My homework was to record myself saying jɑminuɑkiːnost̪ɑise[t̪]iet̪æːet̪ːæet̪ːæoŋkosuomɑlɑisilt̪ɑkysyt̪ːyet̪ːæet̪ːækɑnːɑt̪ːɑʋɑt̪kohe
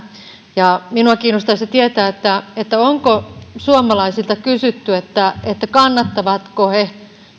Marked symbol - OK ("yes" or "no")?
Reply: yes